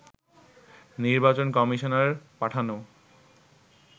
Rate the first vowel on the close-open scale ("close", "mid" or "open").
close